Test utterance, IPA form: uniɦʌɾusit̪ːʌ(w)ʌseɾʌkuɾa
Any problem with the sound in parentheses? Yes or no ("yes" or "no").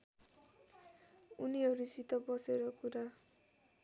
yes